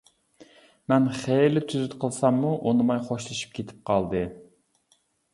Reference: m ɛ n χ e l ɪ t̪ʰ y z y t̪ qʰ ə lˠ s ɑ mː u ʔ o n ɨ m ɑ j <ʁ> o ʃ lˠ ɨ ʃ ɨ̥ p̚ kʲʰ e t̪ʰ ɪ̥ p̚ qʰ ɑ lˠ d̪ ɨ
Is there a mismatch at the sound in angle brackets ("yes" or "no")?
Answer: yes